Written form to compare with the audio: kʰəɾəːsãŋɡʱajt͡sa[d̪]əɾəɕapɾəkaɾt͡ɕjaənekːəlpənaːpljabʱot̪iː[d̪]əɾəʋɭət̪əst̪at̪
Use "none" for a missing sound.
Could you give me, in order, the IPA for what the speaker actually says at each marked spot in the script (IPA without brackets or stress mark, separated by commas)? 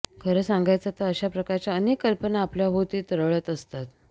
t̪, t̪